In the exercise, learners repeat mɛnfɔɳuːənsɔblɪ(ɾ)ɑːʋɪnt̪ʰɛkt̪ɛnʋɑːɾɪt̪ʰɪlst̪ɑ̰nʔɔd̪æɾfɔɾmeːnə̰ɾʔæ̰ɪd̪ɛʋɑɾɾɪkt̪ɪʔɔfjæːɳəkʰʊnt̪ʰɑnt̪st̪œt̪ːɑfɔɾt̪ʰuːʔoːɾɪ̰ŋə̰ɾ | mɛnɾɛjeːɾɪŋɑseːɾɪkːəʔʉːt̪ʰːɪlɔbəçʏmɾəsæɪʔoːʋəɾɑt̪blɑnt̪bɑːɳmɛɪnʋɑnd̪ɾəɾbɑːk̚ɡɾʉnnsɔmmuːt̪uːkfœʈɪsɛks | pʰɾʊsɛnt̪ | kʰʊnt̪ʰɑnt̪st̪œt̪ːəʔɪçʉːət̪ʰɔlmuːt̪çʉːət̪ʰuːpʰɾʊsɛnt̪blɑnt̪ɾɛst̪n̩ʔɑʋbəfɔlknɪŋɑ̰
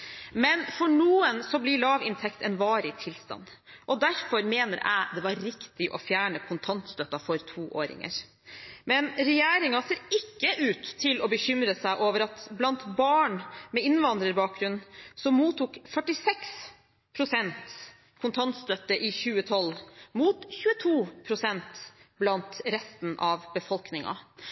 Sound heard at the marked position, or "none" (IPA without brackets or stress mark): ɭ